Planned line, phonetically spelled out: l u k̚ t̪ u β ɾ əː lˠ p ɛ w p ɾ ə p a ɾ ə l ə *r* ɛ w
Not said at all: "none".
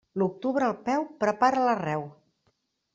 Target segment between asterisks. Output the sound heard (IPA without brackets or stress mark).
r